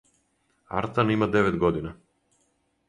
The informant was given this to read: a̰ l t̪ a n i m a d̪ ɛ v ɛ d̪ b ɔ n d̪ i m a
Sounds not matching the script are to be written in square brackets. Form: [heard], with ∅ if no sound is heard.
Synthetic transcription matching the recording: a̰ [ɾ] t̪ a n i m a d̪ ɛ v ɛ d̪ [ɡ] ɔ [∅] d̪ i [n] a

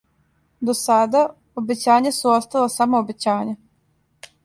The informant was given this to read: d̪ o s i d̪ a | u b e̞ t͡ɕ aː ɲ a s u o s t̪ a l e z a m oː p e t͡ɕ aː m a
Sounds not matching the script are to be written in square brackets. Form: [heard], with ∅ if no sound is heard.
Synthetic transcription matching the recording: d̪ o s [a] d̪ a | [o] b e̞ t͡ɕ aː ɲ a s u o s t̪ a l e [s] a m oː [b] e t͡ɕ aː [ɲ] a

